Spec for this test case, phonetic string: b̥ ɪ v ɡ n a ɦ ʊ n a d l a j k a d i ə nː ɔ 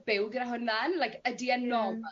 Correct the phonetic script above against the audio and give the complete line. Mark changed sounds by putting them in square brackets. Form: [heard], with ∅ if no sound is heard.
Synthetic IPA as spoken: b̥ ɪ [w] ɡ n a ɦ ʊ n a [n] l a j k [ə] d i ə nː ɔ